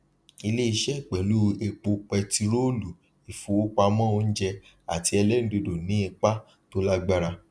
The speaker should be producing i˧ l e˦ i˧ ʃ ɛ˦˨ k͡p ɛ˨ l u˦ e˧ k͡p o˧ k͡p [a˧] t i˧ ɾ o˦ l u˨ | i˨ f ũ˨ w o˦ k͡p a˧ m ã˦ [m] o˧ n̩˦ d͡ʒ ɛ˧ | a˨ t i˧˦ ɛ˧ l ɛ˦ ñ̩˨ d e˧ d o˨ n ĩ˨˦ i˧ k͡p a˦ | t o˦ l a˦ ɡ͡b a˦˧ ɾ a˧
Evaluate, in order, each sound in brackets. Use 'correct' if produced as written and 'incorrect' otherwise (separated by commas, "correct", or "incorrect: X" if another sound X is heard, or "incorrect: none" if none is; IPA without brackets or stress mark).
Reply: incorrect: ɛ˧, incorrect: none